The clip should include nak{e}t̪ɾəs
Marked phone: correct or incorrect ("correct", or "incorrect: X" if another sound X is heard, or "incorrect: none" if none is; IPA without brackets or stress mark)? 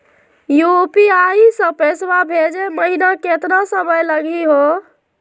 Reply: correct